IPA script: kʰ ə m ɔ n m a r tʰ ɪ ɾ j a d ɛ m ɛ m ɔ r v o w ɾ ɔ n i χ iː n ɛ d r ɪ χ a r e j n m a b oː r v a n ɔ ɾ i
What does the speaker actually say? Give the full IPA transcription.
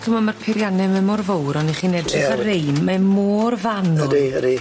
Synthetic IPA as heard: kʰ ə m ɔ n m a r pʰ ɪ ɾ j a n ɛ m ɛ m ɔ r v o w ɾ ɔ n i χ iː n ɛ d r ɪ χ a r e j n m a m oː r v a n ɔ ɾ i